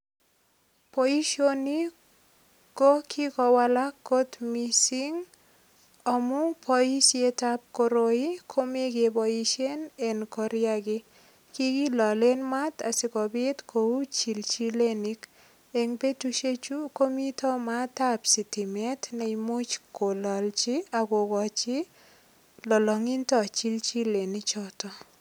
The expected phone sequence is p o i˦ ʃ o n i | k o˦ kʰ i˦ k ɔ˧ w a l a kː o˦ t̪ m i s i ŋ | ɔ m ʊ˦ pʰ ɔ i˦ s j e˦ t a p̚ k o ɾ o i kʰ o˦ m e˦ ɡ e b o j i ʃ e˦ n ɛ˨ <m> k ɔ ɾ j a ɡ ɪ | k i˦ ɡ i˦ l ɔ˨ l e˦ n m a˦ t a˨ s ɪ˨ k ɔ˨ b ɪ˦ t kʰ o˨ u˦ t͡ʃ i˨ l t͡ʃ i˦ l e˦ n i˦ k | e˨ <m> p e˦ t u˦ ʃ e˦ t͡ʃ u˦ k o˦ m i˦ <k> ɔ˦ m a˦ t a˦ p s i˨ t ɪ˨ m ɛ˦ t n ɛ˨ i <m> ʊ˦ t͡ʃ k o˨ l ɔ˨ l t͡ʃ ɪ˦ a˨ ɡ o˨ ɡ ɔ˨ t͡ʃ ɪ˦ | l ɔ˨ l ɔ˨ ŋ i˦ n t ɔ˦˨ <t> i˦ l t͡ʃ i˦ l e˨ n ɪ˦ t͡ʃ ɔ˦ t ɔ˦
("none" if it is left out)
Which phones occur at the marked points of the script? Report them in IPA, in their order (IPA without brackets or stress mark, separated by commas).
n, ŋ, t, m, t͡ʃ